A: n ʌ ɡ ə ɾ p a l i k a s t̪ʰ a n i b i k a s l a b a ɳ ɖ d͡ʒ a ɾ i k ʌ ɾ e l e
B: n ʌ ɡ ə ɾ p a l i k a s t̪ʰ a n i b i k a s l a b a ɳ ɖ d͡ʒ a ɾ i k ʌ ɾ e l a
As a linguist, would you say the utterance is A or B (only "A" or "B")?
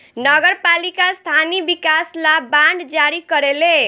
A